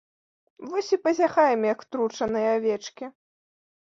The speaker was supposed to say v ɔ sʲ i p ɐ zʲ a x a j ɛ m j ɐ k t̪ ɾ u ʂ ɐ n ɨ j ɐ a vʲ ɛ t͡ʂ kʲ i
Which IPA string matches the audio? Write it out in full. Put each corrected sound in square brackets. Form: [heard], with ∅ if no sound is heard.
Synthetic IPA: v ɔ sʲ i p ɐ zʲ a x a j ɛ m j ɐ k t̪ ɾ u [t͡ʂ] ɐ n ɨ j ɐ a vʲ ɛ t͡ʂ kʲ i